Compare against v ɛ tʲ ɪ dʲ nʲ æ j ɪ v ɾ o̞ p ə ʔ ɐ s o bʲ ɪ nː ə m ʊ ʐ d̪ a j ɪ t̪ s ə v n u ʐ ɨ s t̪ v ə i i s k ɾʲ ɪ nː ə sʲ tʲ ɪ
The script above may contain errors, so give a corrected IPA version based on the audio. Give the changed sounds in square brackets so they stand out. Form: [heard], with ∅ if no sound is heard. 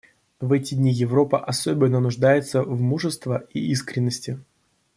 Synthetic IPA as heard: v ɛ tʲ ɪ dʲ nʲ [i] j ɪ v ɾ o̞ p ə ʔ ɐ s o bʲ ɪ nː ə [n] ʊ ʐ d̪ a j ɪ t̪ s ə v [m] u ʐ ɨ s t̪ v ə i i s k ɾʲ ɪ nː ə sʲ tʲ ɪ